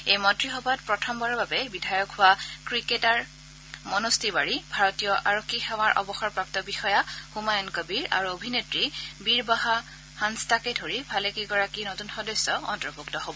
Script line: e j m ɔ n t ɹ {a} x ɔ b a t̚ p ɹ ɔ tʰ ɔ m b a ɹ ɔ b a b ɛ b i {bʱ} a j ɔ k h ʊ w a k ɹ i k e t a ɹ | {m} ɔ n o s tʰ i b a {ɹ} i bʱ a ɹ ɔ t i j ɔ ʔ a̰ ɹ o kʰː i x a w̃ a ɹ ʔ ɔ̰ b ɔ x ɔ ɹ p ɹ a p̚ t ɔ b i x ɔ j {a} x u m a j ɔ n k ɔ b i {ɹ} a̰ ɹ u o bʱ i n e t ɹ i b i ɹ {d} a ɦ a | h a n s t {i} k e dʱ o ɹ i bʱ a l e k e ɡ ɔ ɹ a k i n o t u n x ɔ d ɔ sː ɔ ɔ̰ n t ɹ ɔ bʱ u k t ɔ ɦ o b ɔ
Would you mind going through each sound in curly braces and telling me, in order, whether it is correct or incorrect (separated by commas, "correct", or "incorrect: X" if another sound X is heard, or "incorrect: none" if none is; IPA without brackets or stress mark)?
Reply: incorrect: i, incorrect: dʱ, correct, correct, correct, correct, incorrect: b, incorrect: a